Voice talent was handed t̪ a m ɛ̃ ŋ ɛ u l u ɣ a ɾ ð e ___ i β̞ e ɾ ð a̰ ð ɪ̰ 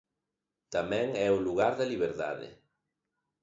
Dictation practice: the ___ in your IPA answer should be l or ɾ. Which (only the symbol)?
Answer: l